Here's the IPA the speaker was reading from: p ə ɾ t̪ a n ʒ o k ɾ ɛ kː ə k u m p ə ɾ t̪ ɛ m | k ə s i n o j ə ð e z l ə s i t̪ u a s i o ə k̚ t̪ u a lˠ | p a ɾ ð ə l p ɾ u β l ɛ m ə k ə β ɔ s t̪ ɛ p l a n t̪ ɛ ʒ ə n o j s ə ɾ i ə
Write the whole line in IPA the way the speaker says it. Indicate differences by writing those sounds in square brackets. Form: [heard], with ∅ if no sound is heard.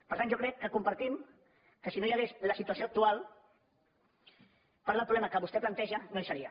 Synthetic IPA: p ə ɾ t̪ a n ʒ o k ɾ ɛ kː ə k u m p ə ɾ t̪ [i] m | k ə s i n o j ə [ɣ] e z l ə s i t̪ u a s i o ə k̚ t̪ u a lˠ | p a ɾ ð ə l p ɾ u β l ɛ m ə k ə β [u] s t̪ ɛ p l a n t̪ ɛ ʒ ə n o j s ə ɾ i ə